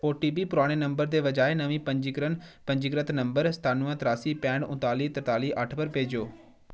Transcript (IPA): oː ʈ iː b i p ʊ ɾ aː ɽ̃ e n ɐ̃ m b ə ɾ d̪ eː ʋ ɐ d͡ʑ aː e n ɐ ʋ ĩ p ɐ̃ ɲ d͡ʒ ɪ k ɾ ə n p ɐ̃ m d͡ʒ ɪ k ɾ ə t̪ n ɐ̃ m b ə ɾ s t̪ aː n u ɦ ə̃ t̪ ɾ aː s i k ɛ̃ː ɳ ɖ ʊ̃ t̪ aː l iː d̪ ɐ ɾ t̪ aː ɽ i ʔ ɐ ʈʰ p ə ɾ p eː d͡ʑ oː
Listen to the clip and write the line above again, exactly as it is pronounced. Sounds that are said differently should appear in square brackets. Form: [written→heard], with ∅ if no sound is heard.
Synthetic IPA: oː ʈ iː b i p ʊ ɾ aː ɽ̃ e n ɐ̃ m b ə ɾ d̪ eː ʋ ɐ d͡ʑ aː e n ɐ ʋ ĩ p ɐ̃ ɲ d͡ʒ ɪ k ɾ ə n p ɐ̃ [m→ɲ] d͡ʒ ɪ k ɾ ə t̪ n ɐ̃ m b ə ɾ s t̪ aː n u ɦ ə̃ t̪ ɾ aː s i [k→p] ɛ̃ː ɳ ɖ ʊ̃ t̪ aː l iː [d̪→t̪] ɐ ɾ t̪ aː [ɽ→l] i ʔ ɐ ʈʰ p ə ɾ p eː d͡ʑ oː